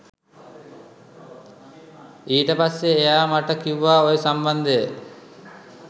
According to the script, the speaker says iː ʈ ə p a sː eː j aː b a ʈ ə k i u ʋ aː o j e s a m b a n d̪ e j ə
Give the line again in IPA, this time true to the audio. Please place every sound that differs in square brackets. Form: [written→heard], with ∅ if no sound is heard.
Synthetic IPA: iː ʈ ə p a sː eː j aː [b→m] a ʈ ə k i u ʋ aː o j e s a m b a n d̪ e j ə